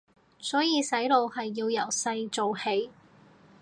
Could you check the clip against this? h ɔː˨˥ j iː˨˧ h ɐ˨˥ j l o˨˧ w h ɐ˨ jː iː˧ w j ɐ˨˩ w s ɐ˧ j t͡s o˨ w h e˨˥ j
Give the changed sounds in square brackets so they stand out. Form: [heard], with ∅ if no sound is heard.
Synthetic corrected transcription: [s] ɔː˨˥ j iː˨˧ [s] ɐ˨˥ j l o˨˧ w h ɐ˨ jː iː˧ w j ɐ˨˩ w s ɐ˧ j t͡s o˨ w h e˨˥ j